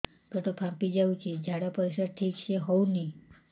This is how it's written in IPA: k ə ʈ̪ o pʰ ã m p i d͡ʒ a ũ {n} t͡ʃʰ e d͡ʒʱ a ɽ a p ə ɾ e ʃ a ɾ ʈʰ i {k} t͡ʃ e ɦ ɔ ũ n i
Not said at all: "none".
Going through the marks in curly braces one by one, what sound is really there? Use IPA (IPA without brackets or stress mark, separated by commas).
none, k